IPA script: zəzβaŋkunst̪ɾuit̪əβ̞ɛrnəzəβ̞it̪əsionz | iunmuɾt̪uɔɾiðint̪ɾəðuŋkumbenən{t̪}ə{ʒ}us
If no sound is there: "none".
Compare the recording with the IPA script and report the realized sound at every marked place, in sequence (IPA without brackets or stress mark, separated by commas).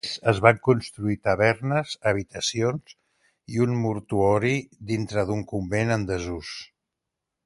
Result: d̪, z